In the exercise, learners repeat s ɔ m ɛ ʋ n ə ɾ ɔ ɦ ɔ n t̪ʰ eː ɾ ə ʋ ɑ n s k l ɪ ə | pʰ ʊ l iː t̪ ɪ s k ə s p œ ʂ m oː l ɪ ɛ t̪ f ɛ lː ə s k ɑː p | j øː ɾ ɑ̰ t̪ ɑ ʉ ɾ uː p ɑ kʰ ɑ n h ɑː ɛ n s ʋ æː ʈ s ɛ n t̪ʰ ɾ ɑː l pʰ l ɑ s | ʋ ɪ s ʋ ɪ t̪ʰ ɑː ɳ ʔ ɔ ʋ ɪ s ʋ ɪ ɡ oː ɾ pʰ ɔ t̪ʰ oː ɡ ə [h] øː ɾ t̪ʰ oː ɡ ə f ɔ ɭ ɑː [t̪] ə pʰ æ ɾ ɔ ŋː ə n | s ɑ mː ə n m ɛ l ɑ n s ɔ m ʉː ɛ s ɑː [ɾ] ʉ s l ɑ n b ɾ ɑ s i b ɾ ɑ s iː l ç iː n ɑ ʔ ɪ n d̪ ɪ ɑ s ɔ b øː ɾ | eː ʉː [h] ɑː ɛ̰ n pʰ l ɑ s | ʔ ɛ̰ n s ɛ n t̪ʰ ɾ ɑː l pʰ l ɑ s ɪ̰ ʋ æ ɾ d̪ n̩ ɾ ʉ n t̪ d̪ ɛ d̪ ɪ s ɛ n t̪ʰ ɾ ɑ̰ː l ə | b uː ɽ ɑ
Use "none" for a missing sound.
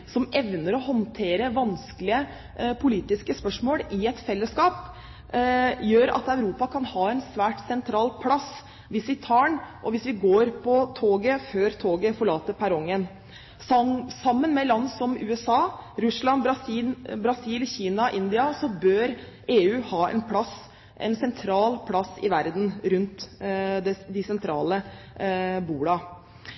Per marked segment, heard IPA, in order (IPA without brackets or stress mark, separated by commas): f, t̪, ɾ, h